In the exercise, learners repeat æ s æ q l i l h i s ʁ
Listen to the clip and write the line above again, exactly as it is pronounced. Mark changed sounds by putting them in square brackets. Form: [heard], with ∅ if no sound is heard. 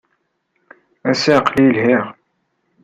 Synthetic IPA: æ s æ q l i l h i [∅] ʁ